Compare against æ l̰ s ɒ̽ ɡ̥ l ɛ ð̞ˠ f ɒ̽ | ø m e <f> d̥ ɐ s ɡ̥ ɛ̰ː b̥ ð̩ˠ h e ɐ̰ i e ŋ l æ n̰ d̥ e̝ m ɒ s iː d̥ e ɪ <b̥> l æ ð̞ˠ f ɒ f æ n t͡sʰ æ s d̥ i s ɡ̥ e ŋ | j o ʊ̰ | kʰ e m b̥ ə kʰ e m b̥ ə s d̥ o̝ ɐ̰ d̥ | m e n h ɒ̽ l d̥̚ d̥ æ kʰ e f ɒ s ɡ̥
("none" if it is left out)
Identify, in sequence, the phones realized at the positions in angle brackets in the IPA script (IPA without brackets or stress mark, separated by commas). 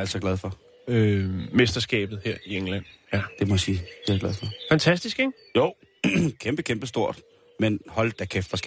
s, ɡ̥